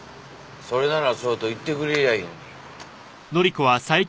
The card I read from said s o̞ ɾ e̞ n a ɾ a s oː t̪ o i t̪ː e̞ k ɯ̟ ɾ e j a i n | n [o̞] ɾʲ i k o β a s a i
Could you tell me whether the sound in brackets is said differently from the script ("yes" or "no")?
no